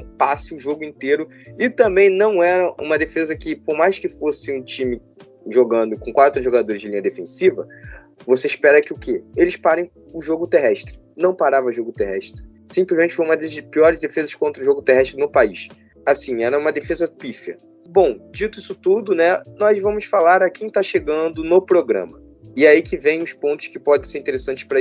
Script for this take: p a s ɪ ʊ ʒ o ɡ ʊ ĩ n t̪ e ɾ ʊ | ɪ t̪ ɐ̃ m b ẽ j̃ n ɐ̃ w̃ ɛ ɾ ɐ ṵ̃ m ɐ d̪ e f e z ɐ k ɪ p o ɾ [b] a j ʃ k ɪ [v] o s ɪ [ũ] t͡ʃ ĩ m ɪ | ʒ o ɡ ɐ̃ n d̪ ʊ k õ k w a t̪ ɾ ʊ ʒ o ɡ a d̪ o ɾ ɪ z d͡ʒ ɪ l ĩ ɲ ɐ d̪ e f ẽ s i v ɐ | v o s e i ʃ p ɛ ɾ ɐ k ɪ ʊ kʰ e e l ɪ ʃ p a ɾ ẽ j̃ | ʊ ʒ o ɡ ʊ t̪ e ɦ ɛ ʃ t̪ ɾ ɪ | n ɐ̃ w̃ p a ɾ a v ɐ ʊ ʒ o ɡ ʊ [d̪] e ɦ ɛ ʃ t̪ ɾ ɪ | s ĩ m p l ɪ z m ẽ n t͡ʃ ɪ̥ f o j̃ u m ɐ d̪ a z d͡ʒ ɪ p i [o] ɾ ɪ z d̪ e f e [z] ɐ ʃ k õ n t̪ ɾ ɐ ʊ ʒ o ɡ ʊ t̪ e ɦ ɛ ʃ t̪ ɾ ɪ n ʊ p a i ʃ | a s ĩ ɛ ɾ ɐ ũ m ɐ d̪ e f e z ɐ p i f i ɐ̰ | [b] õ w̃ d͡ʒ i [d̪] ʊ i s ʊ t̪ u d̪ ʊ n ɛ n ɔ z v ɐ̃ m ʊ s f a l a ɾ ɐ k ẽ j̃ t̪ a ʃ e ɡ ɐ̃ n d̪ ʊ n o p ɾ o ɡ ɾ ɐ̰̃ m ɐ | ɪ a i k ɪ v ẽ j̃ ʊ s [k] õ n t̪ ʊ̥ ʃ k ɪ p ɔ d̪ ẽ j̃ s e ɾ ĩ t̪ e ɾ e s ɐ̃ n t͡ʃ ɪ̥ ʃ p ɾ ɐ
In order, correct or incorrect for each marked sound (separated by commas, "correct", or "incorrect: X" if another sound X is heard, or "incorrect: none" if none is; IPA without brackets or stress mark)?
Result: incorrect: m, incorrect: f, correct, incorrect: t̪, incorrect: ɔ, correct, correct, incorrect: t̪, incorrect: p